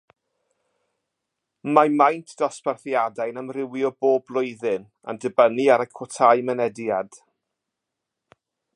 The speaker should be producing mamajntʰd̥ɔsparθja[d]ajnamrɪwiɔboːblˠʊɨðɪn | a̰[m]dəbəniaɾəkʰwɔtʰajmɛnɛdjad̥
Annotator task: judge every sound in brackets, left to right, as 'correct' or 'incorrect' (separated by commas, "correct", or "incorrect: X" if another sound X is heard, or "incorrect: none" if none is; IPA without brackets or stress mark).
correct, incorrect: n